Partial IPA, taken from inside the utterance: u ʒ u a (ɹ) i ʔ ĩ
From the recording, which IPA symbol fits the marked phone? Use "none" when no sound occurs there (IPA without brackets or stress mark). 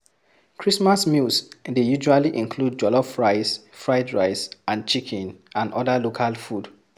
l